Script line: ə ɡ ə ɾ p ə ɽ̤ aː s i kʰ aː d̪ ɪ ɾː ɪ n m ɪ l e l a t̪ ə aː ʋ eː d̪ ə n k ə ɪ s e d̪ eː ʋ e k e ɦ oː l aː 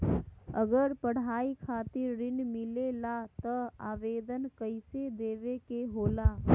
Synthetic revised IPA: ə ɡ ə ɾ p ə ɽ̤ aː i kʰ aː t̪ ɪ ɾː ɪ n m ɪ l e l a t̪ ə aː ʋ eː d̪ ə n k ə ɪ s e d̪ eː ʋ e k e ɦ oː l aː